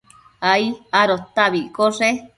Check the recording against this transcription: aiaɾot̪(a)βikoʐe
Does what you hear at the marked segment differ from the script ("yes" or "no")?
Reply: no